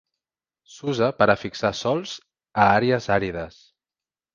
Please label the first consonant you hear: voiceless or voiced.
voiceless